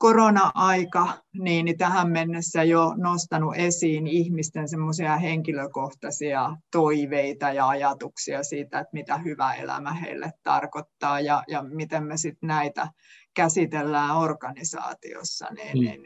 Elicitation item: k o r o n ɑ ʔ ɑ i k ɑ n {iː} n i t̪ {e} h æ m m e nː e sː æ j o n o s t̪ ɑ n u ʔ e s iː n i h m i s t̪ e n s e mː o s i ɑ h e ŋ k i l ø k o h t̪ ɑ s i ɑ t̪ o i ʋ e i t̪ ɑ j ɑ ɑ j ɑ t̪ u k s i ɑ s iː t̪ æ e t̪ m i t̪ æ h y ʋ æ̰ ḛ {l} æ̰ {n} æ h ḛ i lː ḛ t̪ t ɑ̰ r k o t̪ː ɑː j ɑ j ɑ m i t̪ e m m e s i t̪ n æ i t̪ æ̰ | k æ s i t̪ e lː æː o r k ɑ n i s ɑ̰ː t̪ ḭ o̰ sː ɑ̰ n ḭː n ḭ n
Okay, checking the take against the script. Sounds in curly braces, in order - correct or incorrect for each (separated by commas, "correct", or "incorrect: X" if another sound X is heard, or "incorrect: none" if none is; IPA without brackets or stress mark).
correct, incorrect: æ, correct, incorrect: m